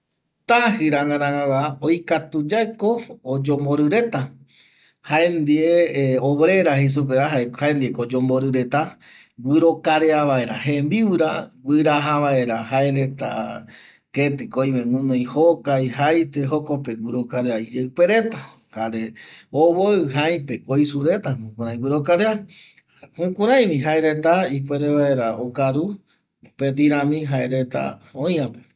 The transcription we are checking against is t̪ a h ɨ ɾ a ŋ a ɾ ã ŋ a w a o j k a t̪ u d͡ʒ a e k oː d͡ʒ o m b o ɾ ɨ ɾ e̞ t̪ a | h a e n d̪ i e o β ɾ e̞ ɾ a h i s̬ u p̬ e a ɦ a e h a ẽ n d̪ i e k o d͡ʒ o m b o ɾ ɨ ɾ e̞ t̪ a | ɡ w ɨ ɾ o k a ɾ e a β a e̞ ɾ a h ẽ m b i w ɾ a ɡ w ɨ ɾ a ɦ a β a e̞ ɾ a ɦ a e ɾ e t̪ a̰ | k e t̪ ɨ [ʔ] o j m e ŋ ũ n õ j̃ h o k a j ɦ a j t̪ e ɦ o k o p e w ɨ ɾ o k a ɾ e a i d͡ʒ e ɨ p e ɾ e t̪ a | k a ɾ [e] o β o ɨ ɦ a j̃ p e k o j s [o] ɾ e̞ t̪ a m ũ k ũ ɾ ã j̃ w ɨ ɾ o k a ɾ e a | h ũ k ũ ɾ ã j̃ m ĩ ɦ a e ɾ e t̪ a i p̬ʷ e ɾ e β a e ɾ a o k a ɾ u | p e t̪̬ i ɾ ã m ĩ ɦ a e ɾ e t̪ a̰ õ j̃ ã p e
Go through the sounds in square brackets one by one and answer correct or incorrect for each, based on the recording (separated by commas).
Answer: incorrect, correct, incorrect